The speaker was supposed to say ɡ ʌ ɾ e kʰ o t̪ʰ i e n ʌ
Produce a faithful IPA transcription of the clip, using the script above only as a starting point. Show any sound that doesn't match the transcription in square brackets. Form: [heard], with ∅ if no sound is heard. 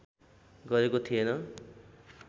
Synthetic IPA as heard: ɡ ʌ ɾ e [k] o t̪ʰ i e n ʌ